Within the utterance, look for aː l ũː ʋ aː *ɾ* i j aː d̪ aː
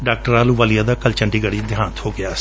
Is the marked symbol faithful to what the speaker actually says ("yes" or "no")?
no